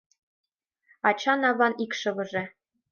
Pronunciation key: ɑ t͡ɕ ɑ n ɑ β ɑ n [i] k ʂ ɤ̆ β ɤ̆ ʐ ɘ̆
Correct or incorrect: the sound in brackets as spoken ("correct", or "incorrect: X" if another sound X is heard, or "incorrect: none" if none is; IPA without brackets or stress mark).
correct